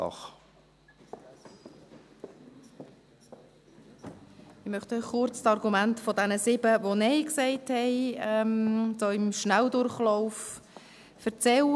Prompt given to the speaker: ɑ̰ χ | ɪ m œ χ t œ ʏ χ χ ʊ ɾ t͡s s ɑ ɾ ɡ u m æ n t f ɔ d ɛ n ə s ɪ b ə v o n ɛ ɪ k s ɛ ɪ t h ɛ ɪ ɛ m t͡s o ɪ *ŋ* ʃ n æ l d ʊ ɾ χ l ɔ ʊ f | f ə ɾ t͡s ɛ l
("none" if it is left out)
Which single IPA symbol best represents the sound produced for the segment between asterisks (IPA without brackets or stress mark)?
m